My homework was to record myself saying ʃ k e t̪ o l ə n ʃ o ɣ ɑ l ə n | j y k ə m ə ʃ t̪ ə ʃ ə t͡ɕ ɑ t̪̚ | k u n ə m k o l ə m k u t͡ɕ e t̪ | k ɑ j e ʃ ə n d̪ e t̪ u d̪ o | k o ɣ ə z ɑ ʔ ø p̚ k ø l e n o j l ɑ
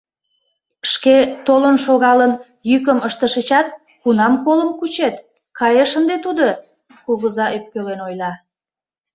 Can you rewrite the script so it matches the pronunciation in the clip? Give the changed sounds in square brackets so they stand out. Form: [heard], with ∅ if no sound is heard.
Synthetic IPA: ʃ k e t̪ o l ə n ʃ o ɣ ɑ l ə n | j y k ə m ə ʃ t̪ ə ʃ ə t͡ɕ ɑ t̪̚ | k u n [ɑ] m k o l ə m k u t͡ɕ e t̪ | k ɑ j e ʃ ə n d̪ e t̪ u d̪ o | k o ɣ ə z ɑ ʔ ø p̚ k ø l e n o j l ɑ